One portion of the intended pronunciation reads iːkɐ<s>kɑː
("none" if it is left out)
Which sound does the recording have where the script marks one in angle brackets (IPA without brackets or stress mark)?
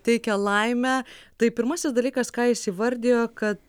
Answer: s